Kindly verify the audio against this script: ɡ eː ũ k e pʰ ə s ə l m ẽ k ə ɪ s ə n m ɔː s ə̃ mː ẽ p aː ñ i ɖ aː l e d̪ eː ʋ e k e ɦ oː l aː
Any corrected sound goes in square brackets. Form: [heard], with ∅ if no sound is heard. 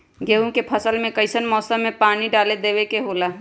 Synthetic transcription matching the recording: ɡ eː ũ k e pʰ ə s ə l m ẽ k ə ɪ s ə n m ɔː s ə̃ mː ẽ p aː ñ i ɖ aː l e d̪ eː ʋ e k e ɦ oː l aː

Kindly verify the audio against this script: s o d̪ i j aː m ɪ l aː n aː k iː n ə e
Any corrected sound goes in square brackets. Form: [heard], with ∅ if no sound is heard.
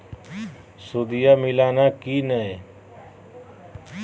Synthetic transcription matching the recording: s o d̪ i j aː m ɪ l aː n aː k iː n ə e

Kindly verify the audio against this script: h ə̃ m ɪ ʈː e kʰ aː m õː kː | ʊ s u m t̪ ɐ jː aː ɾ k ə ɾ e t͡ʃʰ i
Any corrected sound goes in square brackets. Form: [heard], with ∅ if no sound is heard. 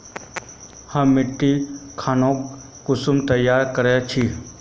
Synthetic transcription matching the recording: h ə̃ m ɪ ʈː [i] kʰ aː [n] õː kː | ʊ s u m t̪ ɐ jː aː ɾ k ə ɾ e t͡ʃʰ i

